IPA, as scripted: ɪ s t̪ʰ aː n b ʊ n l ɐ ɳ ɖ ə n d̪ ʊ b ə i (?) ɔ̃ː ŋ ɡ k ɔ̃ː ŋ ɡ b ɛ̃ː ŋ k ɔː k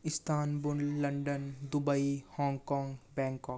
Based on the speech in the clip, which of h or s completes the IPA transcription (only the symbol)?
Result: h